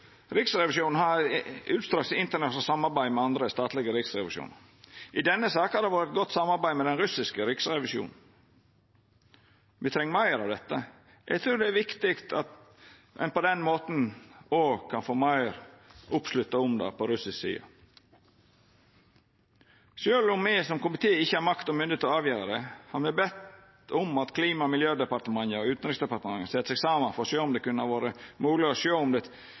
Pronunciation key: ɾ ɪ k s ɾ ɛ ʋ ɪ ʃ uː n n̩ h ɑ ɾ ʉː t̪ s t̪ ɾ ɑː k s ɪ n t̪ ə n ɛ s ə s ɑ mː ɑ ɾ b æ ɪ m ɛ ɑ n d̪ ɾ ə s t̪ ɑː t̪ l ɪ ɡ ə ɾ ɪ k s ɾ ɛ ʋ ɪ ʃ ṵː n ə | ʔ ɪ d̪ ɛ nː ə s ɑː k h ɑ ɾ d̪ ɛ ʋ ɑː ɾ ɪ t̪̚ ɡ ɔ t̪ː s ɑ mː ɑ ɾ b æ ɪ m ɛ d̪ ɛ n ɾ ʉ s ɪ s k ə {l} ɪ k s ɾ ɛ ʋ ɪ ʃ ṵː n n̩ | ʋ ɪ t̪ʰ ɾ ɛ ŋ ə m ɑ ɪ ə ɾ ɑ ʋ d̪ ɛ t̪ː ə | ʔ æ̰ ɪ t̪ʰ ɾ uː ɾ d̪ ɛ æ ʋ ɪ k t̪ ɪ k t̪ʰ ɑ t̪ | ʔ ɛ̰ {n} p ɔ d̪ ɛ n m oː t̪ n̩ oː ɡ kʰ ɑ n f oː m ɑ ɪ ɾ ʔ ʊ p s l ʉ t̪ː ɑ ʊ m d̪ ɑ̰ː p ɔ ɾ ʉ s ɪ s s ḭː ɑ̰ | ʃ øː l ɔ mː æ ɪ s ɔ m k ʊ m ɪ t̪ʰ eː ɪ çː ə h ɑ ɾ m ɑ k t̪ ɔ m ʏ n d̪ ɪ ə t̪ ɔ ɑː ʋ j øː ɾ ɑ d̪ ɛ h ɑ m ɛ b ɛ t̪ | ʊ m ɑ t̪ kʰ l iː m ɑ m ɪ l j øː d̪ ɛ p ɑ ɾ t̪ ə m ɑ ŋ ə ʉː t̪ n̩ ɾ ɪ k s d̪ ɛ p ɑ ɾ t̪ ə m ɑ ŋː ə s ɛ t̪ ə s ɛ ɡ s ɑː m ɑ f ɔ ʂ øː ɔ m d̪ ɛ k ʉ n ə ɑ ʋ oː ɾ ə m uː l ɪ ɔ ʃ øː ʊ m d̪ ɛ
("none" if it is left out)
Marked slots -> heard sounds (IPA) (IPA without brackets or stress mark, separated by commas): ɾ, n